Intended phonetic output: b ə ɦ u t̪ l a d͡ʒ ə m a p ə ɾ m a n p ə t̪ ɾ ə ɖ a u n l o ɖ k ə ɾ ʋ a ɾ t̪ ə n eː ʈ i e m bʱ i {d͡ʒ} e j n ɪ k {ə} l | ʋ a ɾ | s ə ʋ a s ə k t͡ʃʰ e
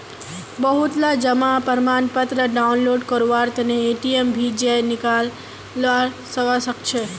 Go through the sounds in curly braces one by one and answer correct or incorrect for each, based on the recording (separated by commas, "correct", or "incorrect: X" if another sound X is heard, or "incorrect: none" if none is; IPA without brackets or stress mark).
correct, incorrect: a